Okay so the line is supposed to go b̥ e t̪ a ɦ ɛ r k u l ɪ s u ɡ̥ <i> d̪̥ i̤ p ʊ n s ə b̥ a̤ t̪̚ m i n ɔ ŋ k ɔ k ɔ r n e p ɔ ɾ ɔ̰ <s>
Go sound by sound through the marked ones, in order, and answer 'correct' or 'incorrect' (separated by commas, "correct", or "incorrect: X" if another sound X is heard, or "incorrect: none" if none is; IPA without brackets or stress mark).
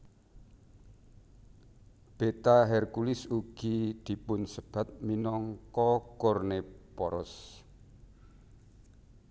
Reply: correct, correct